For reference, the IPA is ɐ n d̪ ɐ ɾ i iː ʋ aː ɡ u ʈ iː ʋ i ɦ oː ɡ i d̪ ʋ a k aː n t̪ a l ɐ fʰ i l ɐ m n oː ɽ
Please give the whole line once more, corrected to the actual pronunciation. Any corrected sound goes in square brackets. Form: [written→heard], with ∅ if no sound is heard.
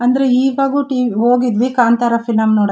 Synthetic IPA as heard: ɐ n d̪ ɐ ɾ [i→e] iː ʋ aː ɡ u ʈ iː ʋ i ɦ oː ɡ i d̪ ʋ [a→i] k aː n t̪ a [l→ɾ] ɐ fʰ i l ɐ m n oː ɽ

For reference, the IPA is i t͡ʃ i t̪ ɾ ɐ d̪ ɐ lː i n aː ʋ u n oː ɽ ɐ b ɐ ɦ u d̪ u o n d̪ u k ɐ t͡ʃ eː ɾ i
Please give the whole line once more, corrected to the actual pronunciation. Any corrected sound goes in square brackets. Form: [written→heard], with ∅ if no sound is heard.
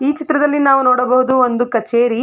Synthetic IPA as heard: [i→iː] t͡ʃ i t̪ ɾ ɐ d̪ ɐ lː i n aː ʋ u n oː ɽ ɐ b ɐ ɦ u d̪ u o n d̪ u k ɐ t͡ʃ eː ɾ i

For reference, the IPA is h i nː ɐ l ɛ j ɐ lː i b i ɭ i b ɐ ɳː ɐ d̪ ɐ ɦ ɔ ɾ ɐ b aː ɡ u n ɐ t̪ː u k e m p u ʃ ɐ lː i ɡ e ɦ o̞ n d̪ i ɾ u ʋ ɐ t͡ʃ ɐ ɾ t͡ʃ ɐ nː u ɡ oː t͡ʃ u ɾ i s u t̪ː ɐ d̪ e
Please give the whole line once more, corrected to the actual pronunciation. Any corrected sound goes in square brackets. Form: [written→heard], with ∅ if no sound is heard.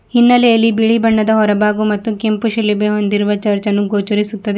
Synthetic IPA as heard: h i nː ɐ l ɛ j ɐ lː i b i ɭ i b ɐ ɳː ɐ d̪ ɐ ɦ ɔ ɾ ɐ b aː ɡ u [n→m] ɐ t̪ː u k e m p u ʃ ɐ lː i [ɡ→b] e ɦ o̞ n d̪ i ɾ u ʋ ɐ t͡ʃ ɐ ɾ t͡ʃ ɐ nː u ɡ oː t͡ʃ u ɾ i s u t̪ː ɐ d̪ e

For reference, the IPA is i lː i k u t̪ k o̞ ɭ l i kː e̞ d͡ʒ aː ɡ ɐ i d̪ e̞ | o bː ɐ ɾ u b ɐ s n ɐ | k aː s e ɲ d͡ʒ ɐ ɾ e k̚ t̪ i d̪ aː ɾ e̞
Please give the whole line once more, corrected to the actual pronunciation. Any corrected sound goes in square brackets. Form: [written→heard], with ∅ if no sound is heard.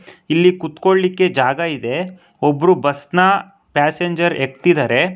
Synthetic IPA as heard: i lː i k u t̪ k o̞ ɭ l i kː e̞ d͡ʒ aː ɡ ɐ i d̪ e̞ | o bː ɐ ɾ u b ɐ s n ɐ | [k→p] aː s e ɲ d͡ʒ ɐ ɾ e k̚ t̪ i d̪ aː ɾ e̞

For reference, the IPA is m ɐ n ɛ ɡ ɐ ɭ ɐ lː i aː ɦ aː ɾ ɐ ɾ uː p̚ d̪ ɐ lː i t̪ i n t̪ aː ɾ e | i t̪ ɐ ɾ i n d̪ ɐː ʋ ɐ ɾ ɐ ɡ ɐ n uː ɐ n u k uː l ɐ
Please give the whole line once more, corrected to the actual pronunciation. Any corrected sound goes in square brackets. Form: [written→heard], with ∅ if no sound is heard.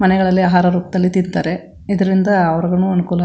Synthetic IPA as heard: m ɐ n ɛ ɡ ɐ ɭ ɐ lː i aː ɦ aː ɾ ɐ ɾ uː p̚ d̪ ɐ lː i t̪ i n t̪ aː ɾ e | i [t̪→d̪] ɐ ɾ i n d̪ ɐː ʋ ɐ ɾ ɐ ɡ ɐ n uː ɐ n u k uː l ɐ

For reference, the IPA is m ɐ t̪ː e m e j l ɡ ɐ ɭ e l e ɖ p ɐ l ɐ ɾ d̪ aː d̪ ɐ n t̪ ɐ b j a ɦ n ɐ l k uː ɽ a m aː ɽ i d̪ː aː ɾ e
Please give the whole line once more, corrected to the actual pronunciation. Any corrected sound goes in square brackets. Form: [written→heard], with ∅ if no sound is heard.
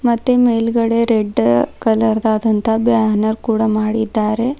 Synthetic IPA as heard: m ɐ t̪ː e m e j l ɡ ɐ [ɭ→ɽ] e [l→ɾ] e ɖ [p→k] ɐ l ɐ ɾ d̪ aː d̪ ɐ n t̪ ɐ b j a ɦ n ɐ [l→ɾ] k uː ɽ a m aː ɽ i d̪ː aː ɾ e

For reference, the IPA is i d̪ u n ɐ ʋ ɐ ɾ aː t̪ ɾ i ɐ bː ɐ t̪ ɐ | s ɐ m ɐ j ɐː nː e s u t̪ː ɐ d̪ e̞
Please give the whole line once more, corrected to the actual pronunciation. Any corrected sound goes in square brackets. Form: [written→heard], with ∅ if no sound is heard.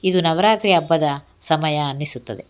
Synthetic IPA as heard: i d̪ u n ɐ ʋ ɐ ɾ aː t̪ ɾ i ɐ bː ɐ [t̪→d̪] ɐ | s ɐ m ɐ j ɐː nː [e→i] s u t̪ː ɐ d̪ e̞

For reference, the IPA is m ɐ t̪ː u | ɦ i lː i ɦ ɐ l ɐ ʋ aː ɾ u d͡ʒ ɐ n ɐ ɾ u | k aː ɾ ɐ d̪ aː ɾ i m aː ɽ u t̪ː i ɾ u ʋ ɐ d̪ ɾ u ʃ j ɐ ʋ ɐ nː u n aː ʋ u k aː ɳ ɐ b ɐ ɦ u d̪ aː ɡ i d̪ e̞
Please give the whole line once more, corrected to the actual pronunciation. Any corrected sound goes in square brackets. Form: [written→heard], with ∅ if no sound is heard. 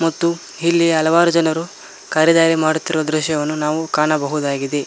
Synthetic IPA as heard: m ɐ t̪ː u | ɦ i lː i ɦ ɐ l ɐ ʋ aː ɾ u d͡ʒ ɐ n ɐ ɾ u | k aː ɾ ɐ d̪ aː ɾ i m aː ɽ u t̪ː i ɾ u ʋ ɐ d̪ ɾ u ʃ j ɐ ʋ ɐ nː u n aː ʋ u k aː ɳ ɐ b ɐ ɦ u d̪ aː ɡ i d̪ e̞

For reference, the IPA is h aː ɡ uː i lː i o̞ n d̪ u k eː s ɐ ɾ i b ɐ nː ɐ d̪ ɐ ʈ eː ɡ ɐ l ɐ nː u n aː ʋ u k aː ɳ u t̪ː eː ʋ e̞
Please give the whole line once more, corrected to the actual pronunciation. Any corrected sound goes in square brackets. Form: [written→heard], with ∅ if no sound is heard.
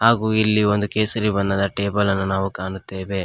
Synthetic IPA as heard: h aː ɡ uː i lː i o̞ n d̪ u k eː s ɐ ɾ i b ɐ nː ɐ d̪ ɐ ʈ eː [ɡ→b] ɐ l ɐ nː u n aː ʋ u k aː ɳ u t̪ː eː ʋ e̞

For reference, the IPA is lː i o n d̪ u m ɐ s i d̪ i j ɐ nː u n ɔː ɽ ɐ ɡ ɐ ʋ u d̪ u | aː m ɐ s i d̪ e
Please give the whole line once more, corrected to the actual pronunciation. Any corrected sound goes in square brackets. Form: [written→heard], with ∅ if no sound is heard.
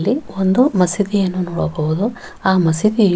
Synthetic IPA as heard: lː i o n d̪ u m ɐ s i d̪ i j ɐ nː u n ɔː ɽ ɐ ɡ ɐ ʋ u d̪ u | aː m ɐ s i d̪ [e→i]

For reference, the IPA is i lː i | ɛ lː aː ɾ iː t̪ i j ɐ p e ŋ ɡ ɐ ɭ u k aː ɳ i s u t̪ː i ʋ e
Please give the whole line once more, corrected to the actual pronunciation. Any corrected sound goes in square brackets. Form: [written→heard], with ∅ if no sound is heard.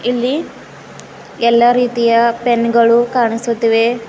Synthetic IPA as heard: i lː i | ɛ lː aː ɾ iː t̪ i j ɐ p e [ŋ→n] ɡ ɐ ɭ u k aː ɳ i s u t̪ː i ʋ e

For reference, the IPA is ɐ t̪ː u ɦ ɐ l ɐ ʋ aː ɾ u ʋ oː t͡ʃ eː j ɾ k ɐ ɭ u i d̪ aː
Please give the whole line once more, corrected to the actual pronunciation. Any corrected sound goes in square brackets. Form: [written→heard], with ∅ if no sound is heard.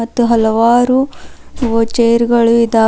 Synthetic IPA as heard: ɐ t̪ː u ɦ ɐ l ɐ ʋ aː ɾ u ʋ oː t͡ʃ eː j ɾ [k→ɡ] ɐ ɭ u i d̪ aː

